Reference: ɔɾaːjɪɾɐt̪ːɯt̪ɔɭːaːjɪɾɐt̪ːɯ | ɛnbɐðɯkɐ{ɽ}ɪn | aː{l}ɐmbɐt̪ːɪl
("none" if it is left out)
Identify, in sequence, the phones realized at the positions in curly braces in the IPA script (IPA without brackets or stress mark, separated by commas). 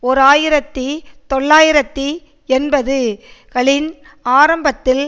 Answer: ɭ, ɾ